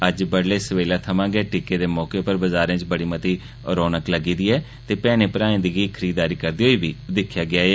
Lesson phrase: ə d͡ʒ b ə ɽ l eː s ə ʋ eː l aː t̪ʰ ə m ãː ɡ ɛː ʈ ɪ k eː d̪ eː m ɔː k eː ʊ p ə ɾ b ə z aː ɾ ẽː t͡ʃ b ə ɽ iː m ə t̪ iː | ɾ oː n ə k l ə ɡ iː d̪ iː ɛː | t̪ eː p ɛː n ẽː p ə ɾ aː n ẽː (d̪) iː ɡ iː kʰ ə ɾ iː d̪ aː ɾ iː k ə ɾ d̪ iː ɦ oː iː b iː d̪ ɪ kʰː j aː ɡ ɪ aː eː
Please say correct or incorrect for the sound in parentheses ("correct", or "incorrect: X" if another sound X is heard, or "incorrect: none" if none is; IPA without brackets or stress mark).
correct